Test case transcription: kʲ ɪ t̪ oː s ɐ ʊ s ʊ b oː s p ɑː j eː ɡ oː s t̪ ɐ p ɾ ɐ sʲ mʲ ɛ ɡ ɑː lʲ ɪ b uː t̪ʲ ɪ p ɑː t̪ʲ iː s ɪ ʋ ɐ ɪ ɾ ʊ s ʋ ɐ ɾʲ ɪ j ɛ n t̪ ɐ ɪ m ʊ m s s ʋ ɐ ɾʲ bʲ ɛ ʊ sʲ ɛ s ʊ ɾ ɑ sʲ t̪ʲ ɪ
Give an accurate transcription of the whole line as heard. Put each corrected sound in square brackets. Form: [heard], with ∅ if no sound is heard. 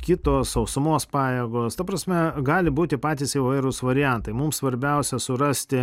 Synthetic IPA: kʲ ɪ t̪ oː s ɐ ʊ s ʊ [m] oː s p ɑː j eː ɡ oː s t̪ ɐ p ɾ ɐ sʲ mʲ ɛ ɡ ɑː lʲ ɪ b uː t̪ʲ ɪ p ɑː t̪ʲ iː s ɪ ʋ ɐ ɪ ɾ ʊ s ʋ ɐ ɾʲ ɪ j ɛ n t̪ ɐ ɪ m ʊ m s s ʋ ɐ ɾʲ bʲ ɛ ʊ sʲ ɛ s ʊ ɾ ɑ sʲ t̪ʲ ɪ

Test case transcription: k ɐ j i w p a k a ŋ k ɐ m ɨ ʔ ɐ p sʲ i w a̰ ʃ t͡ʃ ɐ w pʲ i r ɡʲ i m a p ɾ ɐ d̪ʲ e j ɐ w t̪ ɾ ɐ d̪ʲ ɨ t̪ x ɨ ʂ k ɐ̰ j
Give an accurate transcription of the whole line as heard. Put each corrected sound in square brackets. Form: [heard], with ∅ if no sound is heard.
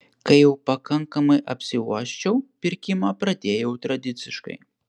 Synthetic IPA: k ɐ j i w p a k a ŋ k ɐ m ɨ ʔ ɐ p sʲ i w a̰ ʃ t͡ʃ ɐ w pʲ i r [kʲ] i m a p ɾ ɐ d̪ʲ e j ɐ w t̪ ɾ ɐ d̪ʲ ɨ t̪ [s] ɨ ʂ k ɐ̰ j

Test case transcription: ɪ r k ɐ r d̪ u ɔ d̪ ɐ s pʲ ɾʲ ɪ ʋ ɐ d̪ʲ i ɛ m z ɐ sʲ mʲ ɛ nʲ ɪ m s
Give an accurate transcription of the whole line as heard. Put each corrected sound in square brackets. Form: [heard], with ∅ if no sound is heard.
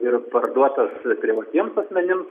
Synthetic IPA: ɪ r [p] ɐ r d̪ u ɔ [t̪] ɐ s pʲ ɾʲ ɪ ʋ ɐ [t̪ʲ] i ɛ m [s] ɐ sʲ mʲ ɛ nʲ ɪ m s

